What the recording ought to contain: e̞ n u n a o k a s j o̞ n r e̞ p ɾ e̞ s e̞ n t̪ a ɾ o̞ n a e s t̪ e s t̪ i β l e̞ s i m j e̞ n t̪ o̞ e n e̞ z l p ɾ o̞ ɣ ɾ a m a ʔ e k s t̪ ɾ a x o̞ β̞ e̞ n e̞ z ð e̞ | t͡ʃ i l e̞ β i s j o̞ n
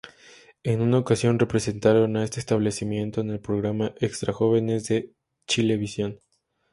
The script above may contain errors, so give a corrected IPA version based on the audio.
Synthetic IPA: e̞ n u n a o k a s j o̞ n r e̞ p ɾ e̞ s e̞ n t̪ a ɾ o̞ n a e s t̪ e s t̪ a β l e̞ s i m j e̞ n t̪ o̞ e n e̞ l p ɾ o̞ ɣ ɾ a m a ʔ e k s t̪ ɾ a x o̞ β̞ e̞ n e̞ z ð e̞ | t͡ʃ i l e̞ β i s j o̞ n

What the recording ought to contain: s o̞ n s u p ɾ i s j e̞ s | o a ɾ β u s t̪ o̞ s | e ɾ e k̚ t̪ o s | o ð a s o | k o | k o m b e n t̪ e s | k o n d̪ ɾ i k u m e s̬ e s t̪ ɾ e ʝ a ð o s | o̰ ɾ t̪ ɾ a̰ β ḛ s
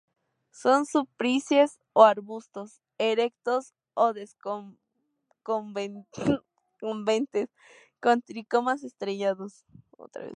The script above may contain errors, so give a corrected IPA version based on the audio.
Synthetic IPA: s o̞ n s u p ɾ i s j e̞ s | o a ɾ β u s t̪ o̞ s | e ɾ e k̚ t̪ o s | o ð e s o | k o | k o m b e n t̪ e s | k o n t̪ ɾ i k o m a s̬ e s t̪ ɾ e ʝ a ð o s | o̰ t̪ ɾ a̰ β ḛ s

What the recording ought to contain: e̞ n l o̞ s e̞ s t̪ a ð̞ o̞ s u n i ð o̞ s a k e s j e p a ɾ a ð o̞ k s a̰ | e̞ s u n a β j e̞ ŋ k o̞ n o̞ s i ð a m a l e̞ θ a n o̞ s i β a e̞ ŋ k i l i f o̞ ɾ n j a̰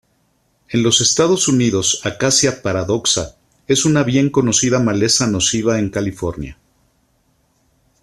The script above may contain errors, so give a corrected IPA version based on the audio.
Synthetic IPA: e̞ n l o̞ s e̞ s t̪ a ð̞ o̞ s u n i ð o̞ s a k a s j a p a ɾ a ð o̞ k s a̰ | e̞ s u n a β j e̞ ŋ k o̞ n o̞ s i ð a m a l e̞ s a n o̞ s i β a e̞ ŋ k a l i f o̞ ɾ n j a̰

